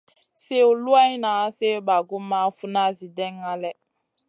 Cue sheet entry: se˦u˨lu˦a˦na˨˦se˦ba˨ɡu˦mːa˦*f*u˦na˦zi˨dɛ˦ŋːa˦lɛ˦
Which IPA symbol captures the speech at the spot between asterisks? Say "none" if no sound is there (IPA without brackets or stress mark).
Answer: f